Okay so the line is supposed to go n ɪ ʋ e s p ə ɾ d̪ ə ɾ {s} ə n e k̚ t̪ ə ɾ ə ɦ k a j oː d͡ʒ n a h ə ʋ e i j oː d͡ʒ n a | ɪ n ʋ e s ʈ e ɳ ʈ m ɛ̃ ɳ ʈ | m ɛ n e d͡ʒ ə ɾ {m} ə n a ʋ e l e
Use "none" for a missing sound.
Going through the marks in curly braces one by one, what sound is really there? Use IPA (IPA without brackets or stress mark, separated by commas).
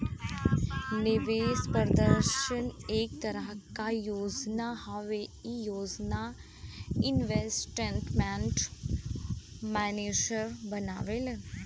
ʃ, b